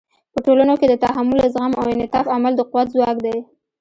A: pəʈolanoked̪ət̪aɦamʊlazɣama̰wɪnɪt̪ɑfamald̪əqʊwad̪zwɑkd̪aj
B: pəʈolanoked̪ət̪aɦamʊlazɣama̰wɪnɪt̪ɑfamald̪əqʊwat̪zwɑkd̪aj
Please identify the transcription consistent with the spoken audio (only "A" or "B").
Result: B